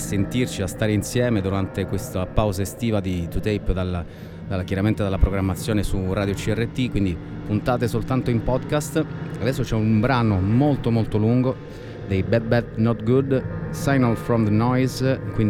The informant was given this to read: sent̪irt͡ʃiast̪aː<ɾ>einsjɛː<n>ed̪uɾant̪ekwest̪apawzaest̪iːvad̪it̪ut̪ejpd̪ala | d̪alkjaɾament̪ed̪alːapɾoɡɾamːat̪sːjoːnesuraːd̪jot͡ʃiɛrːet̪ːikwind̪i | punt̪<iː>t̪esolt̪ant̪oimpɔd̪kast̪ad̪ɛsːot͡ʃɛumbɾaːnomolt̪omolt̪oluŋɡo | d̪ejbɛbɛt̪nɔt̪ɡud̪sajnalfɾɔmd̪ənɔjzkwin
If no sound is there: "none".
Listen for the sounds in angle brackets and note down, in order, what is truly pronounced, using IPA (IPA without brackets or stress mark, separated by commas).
ɾ, m, aː